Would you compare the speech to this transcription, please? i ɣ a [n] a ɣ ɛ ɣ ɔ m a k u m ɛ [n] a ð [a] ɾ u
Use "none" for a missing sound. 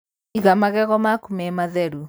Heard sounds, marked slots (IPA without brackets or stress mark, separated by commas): m, m, ɛ